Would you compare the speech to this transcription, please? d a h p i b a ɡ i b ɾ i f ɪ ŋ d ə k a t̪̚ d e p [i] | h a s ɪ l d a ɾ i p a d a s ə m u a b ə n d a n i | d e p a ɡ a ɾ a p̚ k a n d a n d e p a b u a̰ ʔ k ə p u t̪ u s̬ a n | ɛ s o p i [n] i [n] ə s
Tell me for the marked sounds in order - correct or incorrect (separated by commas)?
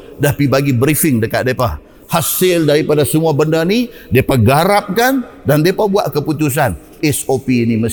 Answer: incorrect, correct, incorrect